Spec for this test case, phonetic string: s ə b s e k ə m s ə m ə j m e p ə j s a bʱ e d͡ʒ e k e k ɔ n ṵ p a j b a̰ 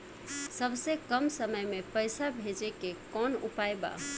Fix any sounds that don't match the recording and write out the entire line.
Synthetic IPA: s ə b s e k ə m s ə m ə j m e p ə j s a bʱ e d͡ʒ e k e k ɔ n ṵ p a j b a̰